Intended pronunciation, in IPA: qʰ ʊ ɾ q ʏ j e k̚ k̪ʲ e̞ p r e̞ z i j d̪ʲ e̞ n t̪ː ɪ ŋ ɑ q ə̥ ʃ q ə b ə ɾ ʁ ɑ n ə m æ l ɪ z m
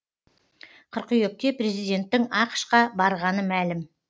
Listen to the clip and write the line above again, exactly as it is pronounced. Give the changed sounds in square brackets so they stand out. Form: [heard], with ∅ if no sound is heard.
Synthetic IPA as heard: qʰ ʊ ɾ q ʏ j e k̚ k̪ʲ e̞ p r e̞ z i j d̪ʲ e̞ n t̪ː ɪ ŋ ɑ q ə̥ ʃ q [ɑ] b [ɑ] ɾ ʁ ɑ n ə m æ l ɪ [∅] m